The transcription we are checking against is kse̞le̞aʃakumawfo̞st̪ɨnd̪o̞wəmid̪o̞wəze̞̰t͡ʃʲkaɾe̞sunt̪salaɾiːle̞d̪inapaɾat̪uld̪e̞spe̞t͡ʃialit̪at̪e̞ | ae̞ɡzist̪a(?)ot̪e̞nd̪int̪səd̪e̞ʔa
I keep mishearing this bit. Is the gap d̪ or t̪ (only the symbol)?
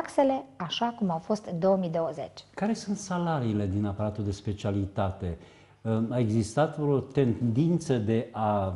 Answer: t̪